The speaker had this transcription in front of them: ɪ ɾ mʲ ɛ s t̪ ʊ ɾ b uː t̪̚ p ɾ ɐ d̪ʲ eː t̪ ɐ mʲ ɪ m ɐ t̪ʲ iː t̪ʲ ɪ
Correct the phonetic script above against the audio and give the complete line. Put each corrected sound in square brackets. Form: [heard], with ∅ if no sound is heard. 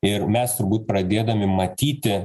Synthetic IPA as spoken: ɪ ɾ mʲ ɛ s t̪ ʊ ɾ b uː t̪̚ p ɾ ɐ d̪ʲ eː [d̪] ɐ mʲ ɪ m ɐ t̪ʲ iː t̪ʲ ɪ

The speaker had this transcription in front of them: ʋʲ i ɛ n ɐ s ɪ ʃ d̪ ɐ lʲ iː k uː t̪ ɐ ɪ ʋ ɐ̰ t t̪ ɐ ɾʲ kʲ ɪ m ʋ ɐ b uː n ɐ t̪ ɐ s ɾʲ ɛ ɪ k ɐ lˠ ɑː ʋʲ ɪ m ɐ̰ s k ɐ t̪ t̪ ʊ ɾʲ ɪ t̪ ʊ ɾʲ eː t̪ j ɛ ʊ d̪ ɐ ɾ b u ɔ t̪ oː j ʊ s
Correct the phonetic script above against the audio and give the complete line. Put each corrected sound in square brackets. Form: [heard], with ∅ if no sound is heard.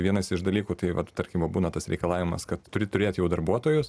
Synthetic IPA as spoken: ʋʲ i ɛ n ɐ s ɪ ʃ d̪ ɐ lʲ iː k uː t̪ ɐ ɪ ʋ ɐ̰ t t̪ ɐ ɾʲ kʲ ɪ m ʋ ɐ b uː n ɐ t̪ ɐ s ɾʲ ɛ ɪ k ɐ lˠ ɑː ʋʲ ɪ m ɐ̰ s k ɐ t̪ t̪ ʊ ɾʲ ɪ t̪ ʊ ɾʲ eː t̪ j ɛ ʊ d̪ ɐ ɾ b u ɔ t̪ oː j ʊ s

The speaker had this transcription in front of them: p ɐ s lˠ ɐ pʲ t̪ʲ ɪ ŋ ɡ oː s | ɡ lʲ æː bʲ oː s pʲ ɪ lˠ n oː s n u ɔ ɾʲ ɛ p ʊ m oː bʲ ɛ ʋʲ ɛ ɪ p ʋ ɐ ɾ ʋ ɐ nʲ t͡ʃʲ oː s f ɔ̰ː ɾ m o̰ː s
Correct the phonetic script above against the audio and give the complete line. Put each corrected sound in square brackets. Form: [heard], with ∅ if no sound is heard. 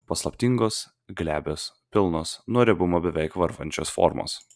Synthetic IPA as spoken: p ɐ s lˠ ɐ pʲ t̪ʲ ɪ ŋ ɡ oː s | ɡ lʲ æː bʲ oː s pʲ ɪ lˠ n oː s n u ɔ ɾʲ ɛ [b] ʊ m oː bʲ ɛ ʋʲ ɛ ɪ [k] ʋ ɐ ɾ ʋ ɐ nʲ t͡ʃʲ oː s f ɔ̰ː ɾ m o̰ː s

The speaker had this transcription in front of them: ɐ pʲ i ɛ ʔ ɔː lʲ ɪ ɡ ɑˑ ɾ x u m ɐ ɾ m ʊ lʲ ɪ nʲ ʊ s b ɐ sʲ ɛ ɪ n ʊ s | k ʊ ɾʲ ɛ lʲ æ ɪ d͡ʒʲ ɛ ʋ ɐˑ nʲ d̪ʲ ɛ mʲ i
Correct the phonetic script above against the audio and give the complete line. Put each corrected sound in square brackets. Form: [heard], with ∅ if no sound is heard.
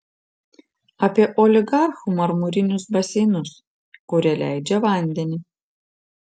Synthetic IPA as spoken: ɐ pʲ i ɛ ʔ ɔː lʲ ɪ ɡ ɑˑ ɾ x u m ɐ ɾ m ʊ [ɾʲ] ɪ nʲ ʊ s b ɐ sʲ ɛ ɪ n ʊ s | k ʊ ɾʲ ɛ lʲ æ ɪ d͡ʒʲ ɛ ʋ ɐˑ nʲ d̪ʲ ɛ [nʲ] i

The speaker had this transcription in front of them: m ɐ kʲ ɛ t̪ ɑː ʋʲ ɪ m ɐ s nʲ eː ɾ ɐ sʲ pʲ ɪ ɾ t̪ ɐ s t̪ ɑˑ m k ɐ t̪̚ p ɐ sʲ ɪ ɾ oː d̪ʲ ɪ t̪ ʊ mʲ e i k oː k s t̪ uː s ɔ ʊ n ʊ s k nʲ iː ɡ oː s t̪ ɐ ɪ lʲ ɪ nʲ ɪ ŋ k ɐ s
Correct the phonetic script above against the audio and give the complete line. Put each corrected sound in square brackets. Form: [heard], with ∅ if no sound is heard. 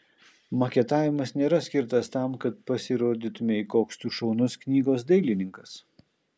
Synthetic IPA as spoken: m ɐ kʲ ɛ t̪ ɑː ʋʲ ɪ m ɐ s nʲ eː ɾ ɐ sʲ [kʲ] ɪ ɾ t̪ ɐ s t̪ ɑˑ m k ɐ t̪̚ p ɐ sʲ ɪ ɾ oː d̪ʲ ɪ t̪ ʊ mʲ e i k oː k s t̪ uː [ʃ] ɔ ʊ n ʊ s k nʲ iː ɡ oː s [d̪] ɐ ɪ lʲ ɪ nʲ ɪ ŋ k ɐ s

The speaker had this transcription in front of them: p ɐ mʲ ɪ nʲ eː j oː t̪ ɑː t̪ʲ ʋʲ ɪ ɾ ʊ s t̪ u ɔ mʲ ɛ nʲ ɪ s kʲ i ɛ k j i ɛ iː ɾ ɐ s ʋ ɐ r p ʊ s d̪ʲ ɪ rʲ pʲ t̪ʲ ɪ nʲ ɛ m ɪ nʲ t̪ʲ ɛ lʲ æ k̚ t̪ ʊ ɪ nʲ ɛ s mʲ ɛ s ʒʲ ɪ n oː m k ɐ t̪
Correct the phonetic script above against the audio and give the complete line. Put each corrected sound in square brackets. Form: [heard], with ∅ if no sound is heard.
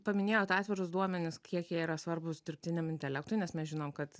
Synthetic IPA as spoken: p ɐ mʲ ɪ nʲ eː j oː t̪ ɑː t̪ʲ ʋʲ ɪ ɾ ʊ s [d̪] u ɔ mʲ ɛ nʲ ɪ s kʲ i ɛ k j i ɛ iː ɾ ɐ s ʋ ɐ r [b] ʊ s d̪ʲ ɪ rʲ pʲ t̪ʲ ɪ nʲ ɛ m ɪ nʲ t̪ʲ ɛ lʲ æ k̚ t̪ ʊ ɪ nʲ ɛ s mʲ ɛ s ʒʲ ɪ n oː m k ɐ t̪

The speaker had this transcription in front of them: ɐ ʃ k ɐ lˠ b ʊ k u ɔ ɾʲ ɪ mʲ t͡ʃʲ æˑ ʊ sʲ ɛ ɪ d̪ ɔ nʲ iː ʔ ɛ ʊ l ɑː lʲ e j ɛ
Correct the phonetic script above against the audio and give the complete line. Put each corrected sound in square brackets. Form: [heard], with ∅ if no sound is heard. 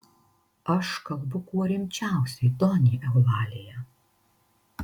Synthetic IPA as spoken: ɐ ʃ k ɐ lˠ b ʊ k u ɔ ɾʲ ɪ mʲ t͡ʃʲ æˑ ʊ sʲ ɛ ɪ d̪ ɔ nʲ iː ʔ ɛ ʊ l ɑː lʲ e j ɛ

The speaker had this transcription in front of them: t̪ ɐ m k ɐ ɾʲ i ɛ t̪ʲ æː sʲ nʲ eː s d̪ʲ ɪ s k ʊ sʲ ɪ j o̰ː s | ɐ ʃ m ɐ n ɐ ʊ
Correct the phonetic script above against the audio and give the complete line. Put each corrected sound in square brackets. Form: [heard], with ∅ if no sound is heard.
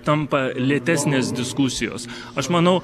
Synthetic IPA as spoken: t̪ ɐ m [p] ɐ [lʲ] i ɛ t̪ʲ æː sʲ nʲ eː s d̪ʲ ɪ s k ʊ sʲ ɪ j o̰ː s | ɐ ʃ m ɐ n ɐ ʊ

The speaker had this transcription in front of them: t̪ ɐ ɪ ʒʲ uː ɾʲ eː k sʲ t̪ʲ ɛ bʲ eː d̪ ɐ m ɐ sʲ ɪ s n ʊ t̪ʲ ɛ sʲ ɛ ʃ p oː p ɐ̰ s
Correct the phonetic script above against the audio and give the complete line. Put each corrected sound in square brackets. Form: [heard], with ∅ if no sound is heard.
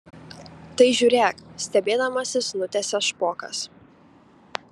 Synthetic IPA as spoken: t̪ ɐ ɪ ʒʲ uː ɾʲ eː k sʲ t̪ʲ ɛ bʲ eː d̪ ɐ m ɐ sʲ ɪ s n ʊ t̪ʲ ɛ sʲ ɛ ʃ p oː [k] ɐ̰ s

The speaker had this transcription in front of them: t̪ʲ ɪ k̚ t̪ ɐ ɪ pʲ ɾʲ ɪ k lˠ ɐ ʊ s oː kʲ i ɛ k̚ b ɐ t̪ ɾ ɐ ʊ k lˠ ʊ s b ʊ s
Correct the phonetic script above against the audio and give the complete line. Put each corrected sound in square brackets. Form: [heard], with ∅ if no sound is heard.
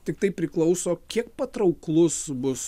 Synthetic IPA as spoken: t̪ʲ ɪ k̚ t̪ ɐ ɪ pʲ ɾʲ ɪ k lˠ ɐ ʊ s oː kʲ i ɛ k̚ [p] ɐ t̪ ɾ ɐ ʊ k lˠ ʊ s b ʊ s

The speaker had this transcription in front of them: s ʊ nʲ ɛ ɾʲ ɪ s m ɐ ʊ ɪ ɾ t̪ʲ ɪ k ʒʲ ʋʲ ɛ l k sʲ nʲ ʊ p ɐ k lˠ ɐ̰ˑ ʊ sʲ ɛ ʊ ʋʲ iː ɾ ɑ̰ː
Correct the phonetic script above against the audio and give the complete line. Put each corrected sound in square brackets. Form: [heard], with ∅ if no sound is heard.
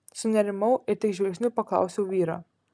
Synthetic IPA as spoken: s ʊ nʲ ɛ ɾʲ ɪ [∅] m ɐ ʊ ɪ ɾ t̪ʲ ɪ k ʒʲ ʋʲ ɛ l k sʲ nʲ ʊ p ɐ k lˠ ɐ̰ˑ ʊ sʲ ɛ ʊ ʋʲ iː ɾ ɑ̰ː

